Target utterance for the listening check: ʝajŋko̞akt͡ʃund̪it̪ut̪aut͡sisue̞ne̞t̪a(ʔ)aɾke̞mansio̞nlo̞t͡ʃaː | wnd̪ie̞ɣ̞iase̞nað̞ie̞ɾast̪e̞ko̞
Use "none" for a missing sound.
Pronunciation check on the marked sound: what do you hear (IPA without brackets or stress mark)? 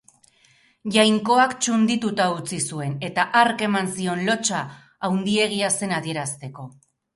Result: ʔ